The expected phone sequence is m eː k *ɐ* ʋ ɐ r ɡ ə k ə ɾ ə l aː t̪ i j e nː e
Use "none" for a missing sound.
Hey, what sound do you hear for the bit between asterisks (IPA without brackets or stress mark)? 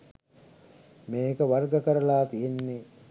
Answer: ə